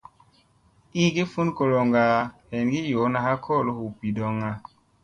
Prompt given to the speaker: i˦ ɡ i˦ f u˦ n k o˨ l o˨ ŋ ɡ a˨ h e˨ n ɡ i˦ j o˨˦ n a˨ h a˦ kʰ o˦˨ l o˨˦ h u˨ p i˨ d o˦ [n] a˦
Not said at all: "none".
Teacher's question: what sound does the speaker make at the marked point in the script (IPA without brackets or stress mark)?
ŋ